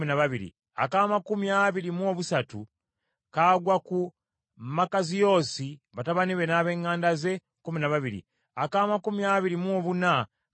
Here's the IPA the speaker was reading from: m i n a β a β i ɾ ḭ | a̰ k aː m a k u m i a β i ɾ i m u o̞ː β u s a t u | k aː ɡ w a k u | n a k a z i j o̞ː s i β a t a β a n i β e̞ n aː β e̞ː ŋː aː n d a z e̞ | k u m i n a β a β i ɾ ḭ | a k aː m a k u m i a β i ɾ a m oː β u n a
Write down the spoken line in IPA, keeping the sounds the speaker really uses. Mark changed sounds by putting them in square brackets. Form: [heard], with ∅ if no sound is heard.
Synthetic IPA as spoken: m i n a β a β i ɾ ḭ | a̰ k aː m a k u m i a β i ɾ i m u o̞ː β u s a t u | k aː ɡ w a k u | [m] a k a z i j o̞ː s i β a t a β a n i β e̞ n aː β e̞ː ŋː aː n d a z e̞ | k u m i n a β a β i ɾ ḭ | a k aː m a k u m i a β i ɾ [i] m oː β u n a